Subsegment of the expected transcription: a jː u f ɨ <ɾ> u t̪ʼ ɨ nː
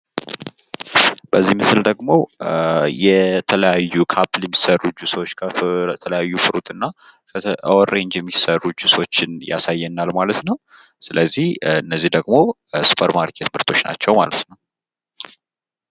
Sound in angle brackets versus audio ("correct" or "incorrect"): correct